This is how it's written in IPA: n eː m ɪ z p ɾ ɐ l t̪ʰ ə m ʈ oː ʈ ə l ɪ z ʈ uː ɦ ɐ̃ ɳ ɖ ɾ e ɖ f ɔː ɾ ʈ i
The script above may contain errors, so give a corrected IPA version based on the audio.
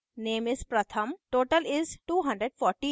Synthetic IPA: n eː m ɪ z p ɾ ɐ t̪ʰ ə m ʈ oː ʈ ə l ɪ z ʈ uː ɦ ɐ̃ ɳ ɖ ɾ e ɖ f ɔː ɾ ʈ i